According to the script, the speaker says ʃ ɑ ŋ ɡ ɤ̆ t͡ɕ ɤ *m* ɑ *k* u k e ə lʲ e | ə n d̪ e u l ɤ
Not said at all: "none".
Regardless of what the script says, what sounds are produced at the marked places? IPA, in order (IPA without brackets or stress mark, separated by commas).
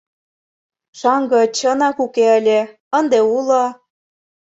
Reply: n, k